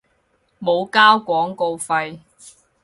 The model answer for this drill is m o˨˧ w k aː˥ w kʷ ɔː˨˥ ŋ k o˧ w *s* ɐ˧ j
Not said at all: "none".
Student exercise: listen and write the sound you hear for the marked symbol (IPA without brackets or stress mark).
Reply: f